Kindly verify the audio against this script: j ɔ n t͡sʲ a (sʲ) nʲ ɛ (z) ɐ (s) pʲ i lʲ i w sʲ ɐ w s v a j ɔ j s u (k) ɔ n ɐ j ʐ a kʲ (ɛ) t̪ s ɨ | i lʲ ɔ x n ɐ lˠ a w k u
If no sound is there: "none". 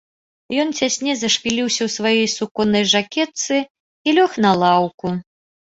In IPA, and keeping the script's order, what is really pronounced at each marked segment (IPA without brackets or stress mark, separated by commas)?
sʲ, z, ʂ, k, ɛ